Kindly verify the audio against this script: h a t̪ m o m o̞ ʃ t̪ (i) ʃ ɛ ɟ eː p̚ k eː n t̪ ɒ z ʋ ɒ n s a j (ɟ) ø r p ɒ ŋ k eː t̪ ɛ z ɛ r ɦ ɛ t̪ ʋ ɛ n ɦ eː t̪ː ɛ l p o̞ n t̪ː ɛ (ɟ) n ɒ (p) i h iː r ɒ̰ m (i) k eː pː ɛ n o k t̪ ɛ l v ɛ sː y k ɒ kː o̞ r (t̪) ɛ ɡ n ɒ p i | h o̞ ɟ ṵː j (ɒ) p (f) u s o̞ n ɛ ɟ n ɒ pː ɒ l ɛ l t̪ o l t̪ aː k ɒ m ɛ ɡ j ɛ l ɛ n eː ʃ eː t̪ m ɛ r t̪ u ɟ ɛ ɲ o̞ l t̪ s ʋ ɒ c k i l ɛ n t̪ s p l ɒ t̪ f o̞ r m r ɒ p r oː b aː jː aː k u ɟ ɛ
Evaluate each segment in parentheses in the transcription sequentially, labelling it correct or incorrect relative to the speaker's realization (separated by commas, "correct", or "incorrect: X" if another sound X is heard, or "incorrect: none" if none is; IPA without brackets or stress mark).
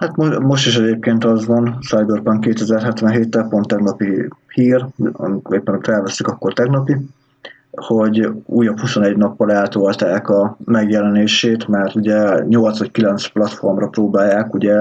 correct, incorrect: b, incorrect: ɡ, correct, correct, correct, correct, incorrect: h